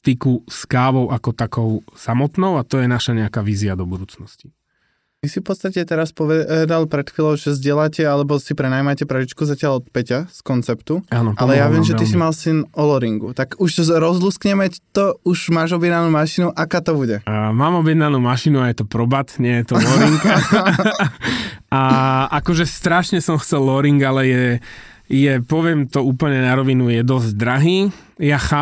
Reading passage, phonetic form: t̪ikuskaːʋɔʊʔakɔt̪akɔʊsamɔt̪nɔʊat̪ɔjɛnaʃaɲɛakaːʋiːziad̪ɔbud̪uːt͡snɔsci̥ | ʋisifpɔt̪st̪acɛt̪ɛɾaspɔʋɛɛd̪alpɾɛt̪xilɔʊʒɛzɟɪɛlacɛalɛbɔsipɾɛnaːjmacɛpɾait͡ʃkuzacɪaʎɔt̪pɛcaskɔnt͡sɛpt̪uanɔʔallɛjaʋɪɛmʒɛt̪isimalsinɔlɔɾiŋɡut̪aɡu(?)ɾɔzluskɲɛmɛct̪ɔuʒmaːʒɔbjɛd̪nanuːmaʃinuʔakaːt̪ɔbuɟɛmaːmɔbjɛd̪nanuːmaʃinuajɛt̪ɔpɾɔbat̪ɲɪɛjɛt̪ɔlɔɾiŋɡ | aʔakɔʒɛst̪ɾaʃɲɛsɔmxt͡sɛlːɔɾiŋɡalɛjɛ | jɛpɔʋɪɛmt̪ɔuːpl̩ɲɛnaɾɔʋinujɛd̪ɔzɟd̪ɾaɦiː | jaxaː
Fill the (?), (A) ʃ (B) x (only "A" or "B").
A